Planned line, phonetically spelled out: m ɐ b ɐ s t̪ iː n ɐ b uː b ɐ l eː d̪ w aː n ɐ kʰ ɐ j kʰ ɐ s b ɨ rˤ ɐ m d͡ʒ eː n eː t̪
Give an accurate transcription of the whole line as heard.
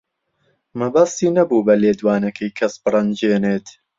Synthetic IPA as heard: m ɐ b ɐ s t̪ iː n ɐ b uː b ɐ l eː d̪ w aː n ɐ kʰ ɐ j kʰ ɐ s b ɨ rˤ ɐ n d͡ʒ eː n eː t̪